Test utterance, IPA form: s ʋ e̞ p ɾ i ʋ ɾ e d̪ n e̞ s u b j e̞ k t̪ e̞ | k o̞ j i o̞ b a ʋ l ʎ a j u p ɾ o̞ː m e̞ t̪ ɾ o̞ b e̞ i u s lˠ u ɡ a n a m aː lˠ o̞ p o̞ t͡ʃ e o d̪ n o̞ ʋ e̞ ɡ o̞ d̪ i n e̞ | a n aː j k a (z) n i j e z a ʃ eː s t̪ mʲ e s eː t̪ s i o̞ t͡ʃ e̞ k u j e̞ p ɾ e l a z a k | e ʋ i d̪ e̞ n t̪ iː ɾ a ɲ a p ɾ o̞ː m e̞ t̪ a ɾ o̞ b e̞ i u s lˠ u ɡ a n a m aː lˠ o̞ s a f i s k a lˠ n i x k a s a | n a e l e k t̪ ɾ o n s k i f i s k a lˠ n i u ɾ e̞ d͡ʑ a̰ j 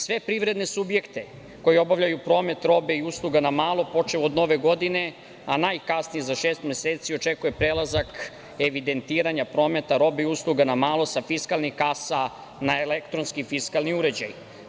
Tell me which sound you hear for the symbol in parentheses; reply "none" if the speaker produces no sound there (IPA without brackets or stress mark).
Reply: s